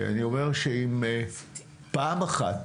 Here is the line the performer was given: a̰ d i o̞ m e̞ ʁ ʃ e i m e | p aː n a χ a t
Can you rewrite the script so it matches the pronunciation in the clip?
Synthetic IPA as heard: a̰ n i o̞ m e̞ ʁ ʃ e i m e | p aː m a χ a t